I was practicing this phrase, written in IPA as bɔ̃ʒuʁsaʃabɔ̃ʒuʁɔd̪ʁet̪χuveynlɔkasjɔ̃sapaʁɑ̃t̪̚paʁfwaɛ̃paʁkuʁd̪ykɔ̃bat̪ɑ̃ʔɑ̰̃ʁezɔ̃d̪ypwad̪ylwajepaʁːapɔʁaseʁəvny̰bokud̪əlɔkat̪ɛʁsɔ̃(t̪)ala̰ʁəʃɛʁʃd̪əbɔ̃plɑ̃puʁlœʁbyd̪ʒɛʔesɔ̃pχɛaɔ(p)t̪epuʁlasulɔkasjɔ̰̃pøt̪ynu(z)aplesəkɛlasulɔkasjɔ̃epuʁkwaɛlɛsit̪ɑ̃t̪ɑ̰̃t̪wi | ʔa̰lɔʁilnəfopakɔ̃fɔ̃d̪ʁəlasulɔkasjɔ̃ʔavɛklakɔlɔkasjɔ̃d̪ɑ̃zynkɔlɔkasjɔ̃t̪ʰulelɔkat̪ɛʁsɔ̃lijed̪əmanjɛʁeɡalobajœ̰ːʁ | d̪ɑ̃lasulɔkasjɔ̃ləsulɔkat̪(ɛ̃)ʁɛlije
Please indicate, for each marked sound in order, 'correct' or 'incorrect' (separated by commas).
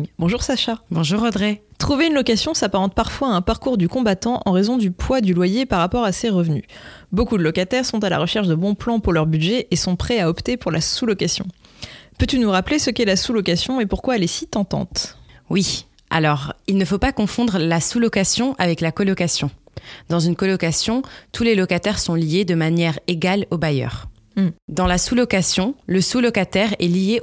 correct, correct, incorrect, incorrect